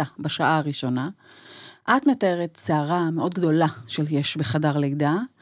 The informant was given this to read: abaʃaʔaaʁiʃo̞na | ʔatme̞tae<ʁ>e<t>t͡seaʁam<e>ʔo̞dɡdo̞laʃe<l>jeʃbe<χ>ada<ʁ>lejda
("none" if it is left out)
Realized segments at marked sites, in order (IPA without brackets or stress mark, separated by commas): ʁ, t, e, l, χ, ʁ